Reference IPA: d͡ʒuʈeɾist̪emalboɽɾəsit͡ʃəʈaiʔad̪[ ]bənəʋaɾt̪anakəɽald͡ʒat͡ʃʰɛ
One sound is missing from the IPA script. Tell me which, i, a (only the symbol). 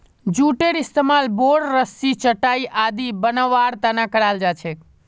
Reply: i